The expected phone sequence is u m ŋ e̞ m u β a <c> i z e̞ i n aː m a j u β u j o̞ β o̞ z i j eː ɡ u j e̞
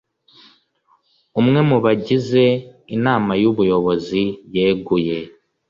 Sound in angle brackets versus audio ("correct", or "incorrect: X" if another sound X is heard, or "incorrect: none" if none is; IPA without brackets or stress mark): incorrect: ɟ